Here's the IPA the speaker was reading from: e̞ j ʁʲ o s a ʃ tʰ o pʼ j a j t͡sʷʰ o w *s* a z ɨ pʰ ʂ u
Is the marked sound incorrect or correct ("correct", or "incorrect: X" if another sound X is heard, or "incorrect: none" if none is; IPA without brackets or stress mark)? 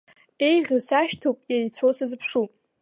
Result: correct